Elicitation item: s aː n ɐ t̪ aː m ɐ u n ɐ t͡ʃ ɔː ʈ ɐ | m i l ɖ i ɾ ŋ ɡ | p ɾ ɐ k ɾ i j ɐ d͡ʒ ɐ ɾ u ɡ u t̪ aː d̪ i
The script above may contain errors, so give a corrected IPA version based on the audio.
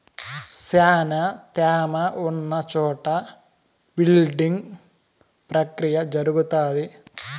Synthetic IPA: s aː n ɐ t̪ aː m ɐ u nː ɐ t͡ʃ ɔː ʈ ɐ | b i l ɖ i ŋ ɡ | p ɾ ɐ k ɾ i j ɐ d͡ʒ ɐ ɾ u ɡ u t̪ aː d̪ i